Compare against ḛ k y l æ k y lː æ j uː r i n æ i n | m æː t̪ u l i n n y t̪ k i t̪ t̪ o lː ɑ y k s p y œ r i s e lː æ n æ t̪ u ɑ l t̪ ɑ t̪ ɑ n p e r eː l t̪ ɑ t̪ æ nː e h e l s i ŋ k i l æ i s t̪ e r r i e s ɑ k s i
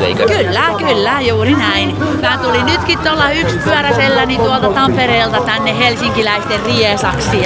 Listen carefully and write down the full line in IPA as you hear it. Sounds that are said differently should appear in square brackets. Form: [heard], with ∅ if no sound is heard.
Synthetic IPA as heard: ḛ k y [lː] æ k y lː æ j uː r i n æ i n | m æː t̪ u l i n n y t̪ k i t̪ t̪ o lː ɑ y k s p y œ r [æ] s e lː æ n [i] t̪ u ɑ l t̪ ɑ t̪ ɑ [m] p e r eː l t̪ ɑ t̪ æ nː e h e l s i ŋ k i l æ i s t̪ e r r i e s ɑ k s i